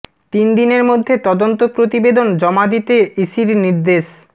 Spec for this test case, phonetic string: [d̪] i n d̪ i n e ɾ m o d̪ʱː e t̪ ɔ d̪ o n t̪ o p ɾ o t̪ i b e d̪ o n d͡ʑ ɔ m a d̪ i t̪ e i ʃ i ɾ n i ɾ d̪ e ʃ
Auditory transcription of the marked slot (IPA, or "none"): t̪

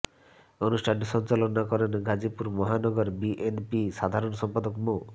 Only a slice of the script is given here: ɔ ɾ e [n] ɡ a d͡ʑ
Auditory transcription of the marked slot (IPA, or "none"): n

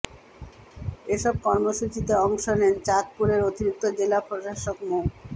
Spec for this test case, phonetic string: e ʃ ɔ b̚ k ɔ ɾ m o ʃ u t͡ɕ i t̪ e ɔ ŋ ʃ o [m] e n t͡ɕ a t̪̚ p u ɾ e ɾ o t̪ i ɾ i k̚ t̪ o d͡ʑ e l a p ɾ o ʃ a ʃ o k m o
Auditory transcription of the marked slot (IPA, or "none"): n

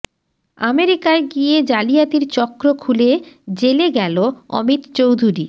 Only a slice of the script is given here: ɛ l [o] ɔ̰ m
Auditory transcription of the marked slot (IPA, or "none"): o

